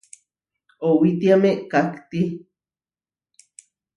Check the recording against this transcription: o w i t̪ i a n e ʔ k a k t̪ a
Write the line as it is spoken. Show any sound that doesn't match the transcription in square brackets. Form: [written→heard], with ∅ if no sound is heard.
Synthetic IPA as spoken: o w i t̪ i a [n→m] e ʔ k a k t̪ [a→i]